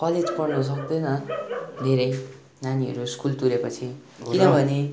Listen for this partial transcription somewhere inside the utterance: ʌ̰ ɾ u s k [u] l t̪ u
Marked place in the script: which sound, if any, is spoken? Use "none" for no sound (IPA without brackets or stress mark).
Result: u